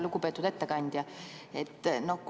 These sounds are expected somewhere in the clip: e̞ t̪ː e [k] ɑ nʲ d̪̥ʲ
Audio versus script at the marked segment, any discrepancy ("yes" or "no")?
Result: no